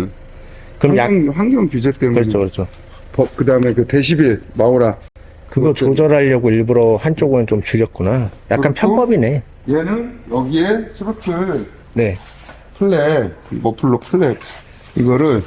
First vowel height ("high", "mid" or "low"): high